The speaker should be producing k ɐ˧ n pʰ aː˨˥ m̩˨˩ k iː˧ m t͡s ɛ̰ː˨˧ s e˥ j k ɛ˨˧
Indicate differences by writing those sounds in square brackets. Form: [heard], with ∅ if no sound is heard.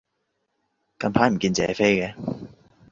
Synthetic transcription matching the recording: k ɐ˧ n pʰ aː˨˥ m̩˨˩ k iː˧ [n] t͡s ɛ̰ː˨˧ [f] e˥ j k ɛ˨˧